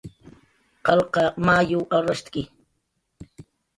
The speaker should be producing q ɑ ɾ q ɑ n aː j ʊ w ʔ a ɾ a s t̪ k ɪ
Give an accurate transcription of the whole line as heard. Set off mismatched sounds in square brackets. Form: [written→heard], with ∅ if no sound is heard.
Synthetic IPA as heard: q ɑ [ɾ→l] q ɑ [n→m] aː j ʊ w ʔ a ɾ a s t̪ k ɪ

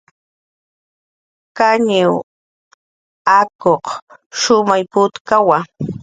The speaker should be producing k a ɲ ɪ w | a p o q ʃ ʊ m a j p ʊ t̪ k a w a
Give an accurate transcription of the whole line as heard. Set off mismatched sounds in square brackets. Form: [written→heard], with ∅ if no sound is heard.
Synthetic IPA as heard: k a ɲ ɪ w | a [p→k] o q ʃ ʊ m a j p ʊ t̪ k a w a

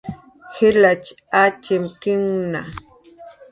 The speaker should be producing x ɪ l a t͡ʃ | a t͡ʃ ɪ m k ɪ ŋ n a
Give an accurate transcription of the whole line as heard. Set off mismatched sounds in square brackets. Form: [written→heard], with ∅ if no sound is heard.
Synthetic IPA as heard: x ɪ l a t͡ʃ | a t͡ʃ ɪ m k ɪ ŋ n a

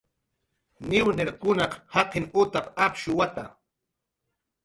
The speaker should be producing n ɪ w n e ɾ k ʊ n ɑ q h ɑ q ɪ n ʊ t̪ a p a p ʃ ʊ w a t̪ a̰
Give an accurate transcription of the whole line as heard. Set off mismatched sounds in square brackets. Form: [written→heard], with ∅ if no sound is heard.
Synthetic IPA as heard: n ɪ w n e ɾ k ʊ n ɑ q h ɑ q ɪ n ʊ t̪ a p a p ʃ ʊ w a t̪ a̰

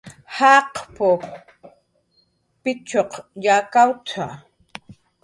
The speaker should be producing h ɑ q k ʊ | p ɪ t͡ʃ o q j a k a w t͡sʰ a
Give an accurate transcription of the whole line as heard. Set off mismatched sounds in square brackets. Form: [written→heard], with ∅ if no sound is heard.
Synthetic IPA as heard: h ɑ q [k→p] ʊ | p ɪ t͡ʃ o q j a k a w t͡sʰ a

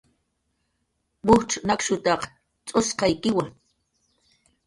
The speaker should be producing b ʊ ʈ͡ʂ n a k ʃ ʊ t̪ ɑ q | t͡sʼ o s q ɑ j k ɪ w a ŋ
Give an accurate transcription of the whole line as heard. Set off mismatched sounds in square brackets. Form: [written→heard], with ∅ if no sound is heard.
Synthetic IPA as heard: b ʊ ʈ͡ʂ n a k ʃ ʊ t̪ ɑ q | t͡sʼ o s q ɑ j k ɪ w a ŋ

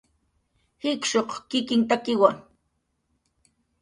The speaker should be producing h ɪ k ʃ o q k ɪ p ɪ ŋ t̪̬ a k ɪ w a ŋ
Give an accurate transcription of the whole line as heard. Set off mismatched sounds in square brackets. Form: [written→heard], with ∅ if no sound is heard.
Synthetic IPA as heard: h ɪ k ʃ o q k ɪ [p→k] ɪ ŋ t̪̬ a k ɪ w a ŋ

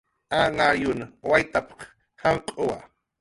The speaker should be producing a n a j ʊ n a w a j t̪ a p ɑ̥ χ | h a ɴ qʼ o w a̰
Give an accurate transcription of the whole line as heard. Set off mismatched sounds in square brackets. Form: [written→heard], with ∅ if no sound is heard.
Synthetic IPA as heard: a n a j ʊ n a w a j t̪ a p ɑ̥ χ | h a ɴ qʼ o w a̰

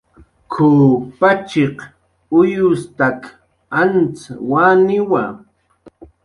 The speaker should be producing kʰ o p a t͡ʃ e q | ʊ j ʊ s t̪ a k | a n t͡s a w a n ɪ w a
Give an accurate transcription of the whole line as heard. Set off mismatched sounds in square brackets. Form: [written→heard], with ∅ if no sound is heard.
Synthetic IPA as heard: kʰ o p a t͡ʃ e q | ʊ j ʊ s t̪ a k | a n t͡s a w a n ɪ w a

